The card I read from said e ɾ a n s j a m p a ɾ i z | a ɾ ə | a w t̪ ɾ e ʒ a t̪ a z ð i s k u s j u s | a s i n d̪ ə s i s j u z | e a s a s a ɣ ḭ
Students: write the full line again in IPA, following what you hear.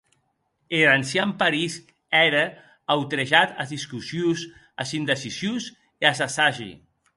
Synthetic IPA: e ɾ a n s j a m p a ɾ i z | ɛ ɾ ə | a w t̪ ɾ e ʒ a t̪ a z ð i s k u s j u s | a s i n d̪ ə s i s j u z | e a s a s a ʒ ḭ